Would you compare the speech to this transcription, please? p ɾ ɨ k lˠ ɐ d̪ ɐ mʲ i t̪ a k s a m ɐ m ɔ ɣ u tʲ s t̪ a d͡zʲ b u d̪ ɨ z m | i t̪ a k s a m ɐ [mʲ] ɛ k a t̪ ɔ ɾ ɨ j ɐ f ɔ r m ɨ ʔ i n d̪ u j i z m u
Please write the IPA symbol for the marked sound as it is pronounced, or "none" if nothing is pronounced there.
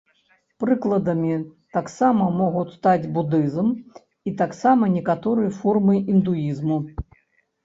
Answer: nʲ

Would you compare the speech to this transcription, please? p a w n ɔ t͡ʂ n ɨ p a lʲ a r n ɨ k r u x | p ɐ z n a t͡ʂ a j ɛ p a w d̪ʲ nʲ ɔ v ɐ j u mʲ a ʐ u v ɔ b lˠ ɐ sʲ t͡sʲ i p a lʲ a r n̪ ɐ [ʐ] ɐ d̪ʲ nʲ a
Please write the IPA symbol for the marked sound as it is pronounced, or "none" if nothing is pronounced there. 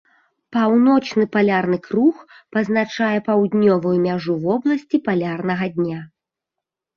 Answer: ɣ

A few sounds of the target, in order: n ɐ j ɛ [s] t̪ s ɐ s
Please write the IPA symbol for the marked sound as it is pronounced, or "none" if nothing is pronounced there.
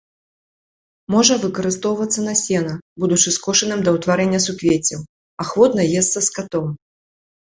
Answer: s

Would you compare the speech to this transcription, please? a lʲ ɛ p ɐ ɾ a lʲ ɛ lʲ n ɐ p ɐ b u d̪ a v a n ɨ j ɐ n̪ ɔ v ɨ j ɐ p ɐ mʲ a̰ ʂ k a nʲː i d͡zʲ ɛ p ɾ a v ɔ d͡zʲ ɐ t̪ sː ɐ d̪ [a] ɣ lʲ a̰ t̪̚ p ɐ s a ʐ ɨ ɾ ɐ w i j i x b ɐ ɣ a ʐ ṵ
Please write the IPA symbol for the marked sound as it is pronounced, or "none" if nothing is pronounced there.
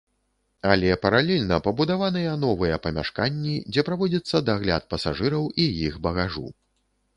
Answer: a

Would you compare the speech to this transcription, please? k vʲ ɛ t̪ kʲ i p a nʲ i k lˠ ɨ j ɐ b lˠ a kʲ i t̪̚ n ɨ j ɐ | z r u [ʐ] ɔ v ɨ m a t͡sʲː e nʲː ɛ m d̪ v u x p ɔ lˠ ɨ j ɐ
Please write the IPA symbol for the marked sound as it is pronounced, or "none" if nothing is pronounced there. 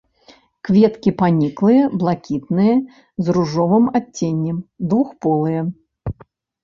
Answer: ʐ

